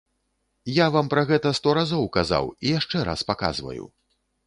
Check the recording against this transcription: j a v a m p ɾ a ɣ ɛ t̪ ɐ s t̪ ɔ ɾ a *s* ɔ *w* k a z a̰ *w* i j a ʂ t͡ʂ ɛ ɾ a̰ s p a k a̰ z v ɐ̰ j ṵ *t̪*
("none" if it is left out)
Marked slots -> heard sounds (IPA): z, w, w, none

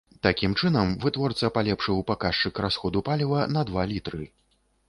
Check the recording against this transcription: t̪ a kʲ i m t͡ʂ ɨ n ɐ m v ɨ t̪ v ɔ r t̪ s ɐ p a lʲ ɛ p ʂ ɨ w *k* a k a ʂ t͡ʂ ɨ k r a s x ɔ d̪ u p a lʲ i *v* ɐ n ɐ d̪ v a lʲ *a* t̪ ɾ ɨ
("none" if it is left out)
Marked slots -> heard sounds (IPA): p, v, i

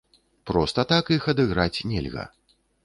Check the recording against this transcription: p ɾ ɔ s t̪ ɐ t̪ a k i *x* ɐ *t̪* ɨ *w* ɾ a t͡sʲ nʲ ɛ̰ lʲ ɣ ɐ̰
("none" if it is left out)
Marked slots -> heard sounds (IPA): x, d̪, ɣ

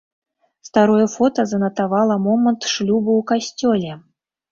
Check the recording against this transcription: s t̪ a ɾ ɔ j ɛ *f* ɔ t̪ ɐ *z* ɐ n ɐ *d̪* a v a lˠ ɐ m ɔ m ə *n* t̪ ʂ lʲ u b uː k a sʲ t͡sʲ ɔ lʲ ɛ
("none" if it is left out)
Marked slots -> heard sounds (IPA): f, z, t̪, n

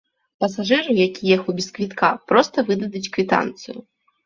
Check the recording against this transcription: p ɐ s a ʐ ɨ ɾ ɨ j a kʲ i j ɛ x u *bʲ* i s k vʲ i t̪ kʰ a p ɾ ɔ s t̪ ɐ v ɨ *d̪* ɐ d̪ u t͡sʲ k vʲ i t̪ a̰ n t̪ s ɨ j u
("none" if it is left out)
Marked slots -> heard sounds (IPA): bʲ, d̪

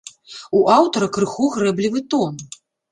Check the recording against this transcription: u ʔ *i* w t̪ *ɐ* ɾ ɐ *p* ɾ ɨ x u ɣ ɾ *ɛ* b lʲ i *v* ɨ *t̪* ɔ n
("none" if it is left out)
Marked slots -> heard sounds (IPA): a, ɐ, k, ɛ, v, t̪

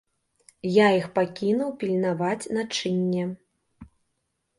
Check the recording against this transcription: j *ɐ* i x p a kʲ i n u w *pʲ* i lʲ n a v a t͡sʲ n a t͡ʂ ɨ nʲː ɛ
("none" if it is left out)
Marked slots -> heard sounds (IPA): a, pʲ

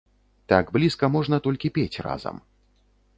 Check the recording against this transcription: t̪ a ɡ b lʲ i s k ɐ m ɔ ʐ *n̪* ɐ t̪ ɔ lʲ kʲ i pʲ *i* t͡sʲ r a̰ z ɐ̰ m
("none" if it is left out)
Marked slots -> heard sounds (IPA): n̪, e

